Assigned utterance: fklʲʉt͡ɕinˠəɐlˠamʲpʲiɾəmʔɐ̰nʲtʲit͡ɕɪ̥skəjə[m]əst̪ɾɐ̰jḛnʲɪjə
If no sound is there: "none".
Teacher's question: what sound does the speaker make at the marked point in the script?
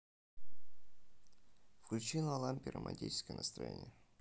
n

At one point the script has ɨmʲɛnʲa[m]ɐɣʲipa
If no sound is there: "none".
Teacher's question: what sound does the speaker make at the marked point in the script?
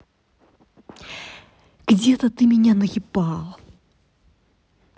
n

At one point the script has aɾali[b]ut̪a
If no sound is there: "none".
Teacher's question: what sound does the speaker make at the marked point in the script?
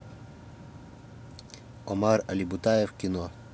b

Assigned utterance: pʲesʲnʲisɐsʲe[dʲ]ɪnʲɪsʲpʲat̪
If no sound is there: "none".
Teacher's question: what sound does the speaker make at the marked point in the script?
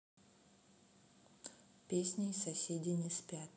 dʲ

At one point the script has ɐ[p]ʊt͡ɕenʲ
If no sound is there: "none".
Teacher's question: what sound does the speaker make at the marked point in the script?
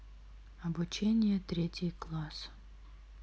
b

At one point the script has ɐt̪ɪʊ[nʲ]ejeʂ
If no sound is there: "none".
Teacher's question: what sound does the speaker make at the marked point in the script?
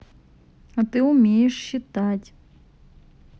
mʲ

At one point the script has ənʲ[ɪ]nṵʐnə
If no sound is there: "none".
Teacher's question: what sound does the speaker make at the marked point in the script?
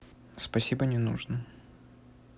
ɪ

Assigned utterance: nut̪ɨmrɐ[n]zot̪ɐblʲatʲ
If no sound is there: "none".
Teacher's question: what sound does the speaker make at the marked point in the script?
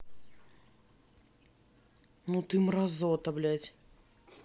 none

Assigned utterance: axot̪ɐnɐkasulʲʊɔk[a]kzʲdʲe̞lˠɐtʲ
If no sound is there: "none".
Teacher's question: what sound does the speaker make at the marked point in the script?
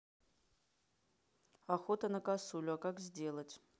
a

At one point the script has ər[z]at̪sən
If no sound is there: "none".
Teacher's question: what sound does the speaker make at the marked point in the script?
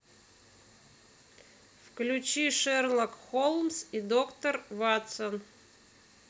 v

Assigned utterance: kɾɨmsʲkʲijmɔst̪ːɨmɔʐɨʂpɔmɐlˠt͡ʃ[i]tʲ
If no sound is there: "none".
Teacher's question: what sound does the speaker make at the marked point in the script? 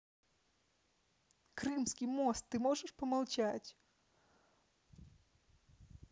a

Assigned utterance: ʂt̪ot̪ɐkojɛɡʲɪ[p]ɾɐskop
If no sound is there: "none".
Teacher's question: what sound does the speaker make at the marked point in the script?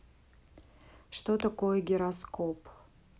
none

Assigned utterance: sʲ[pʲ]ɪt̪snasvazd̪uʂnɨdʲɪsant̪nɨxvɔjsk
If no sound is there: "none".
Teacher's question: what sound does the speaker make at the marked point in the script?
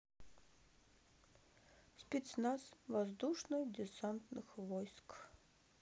pʲ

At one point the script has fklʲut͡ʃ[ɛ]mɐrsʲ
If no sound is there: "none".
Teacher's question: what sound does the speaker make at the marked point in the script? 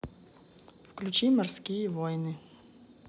i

